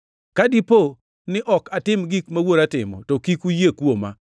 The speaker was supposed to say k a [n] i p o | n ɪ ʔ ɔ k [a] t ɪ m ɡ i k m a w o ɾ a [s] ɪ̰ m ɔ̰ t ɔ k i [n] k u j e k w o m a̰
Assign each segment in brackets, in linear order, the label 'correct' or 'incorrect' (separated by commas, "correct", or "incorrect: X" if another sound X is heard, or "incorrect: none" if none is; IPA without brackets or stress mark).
incorrect: d, correct, incorrect: t, incorrect: none